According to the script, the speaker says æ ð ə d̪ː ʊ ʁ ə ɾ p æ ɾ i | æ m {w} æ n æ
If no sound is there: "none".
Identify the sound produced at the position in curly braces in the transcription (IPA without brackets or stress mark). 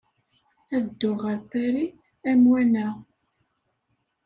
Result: w